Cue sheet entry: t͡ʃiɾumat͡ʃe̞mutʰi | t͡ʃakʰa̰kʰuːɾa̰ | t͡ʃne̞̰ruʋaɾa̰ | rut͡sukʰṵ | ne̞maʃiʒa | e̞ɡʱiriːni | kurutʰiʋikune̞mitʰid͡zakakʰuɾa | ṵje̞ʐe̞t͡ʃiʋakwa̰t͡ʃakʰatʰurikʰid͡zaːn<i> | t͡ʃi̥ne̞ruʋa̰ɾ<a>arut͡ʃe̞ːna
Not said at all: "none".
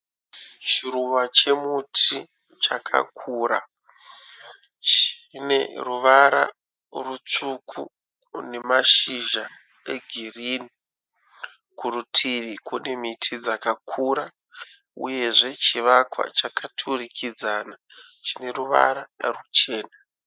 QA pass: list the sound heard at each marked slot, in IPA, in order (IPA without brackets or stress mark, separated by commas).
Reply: a, a